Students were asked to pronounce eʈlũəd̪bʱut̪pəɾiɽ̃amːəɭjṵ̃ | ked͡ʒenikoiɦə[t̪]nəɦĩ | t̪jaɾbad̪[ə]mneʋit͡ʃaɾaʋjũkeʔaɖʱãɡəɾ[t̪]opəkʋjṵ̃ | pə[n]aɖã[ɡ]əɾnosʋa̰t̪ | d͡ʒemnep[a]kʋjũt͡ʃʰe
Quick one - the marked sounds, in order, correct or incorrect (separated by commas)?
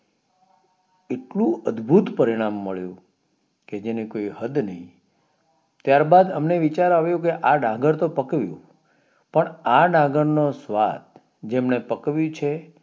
incorrect, correct, correct, incorrect, correct, incorrect